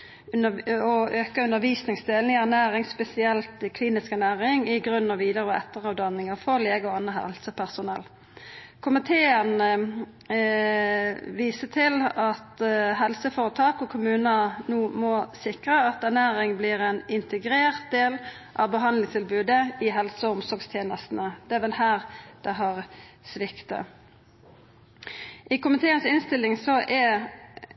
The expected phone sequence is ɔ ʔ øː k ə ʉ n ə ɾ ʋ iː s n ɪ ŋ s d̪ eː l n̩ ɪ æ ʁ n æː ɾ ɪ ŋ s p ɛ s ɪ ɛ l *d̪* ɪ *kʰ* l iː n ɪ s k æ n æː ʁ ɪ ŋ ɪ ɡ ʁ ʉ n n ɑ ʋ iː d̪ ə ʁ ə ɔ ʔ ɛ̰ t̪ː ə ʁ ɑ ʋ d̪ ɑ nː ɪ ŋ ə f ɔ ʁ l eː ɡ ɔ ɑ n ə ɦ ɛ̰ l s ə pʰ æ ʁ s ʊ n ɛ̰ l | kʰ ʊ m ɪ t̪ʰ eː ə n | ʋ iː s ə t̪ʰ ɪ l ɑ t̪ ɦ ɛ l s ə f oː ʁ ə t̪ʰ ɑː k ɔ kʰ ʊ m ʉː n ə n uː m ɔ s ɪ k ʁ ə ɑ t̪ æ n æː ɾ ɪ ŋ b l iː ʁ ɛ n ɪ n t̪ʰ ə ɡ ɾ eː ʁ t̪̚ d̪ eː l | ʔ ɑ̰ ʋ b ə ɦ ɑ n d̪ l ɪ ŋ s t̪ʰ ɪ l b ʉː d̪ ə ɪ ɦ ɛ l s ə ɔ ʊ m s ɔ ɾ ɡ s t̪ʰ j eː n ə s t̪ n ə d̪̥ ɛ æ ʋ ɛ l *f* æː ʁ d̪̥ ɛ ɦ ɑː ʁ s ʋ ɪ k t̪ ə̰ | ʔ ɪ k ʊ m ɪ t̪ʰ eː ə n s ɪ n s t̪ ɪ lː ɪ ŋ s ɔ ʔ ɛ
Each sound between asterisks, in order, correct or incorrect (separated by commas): incorrect, correct, incorrect